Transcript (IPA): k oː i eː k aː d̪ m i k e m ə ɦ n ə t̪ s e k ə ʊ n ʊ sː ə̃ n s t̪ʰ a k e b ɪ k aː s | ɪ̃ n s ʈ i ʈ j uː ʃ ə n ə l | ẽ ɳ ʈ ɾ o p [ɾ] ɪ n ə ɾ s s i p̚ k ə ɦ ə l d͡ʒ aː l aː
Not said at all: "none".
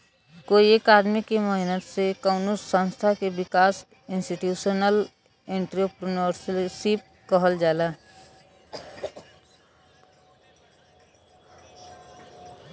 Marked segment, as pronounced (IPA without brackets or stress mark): ɾ